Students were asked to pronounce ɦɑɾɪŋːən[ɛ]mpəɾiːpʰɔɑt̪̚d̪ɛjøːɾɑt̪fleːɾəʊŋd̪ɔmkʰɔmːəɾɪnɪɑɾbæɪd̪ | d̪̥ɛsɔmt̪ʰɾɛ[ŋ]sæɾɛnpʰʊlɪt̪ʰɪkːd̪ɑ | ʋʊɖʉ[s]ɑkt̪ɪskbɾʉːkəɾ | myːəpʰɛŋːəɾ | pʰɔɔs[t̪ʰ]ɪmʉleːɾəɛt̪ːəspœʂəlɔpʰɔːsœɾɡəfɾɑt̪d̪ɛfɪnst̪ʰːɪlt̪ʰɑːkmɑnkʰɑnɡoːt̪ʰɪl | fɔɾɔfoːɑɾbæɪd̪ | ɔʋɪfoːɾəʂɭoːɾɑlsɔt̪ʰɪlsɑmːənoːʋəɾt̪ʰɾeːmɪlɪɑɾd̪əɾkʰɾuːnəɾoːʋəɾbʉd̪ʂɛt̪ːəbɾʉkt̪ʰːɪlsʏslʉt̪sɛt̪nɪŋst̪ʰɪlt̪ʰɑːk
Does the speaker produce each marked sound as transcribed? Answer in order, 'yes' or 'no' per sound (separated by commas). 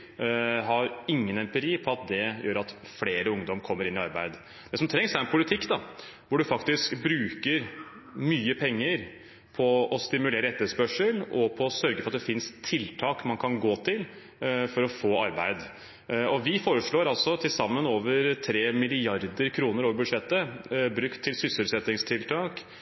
yes, yes, no, no